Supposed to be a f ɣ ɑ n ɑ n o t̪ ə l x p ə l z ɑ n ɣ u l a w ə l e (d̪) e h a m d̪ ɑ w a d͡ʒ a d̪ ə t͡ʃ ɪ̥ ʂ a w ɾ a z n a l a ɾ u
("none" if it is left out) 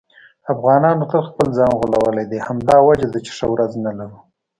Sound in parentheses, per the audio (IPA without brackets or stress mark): d̪